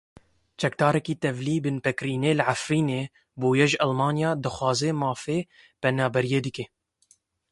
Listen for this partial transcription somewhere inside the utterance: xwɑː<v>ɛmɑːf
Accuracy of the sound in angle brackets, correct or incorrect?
incorrect